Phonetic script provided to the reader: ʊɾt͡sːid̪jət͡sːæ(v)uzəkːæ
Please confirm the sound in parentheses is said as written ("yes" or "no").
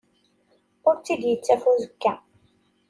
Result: no